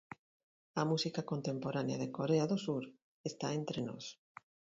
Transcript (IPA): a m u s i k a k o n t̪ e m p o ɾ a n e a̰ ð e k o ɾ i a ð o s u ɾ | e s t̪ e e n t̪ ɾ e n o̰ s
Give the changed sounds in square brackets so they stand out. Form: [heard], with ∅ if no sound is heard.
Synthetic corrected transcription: a m u s i k a k o n t̪ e m p o ɾ a n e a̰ ð e k o ɾ [e] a ð o s u ɾ | e s t̪ [a] e n t̪ ɾ e n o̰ s